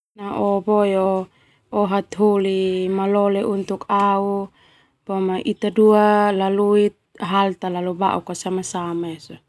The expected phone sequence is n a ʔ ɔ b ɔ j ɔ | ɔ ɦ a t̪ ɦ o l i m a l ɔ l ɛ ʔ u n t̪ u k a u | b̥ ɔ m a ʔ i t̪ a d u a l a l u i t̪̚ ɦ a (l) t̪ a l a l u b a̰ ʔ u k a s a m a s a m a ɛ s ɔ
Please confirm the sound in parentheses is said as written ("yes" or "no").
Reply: yes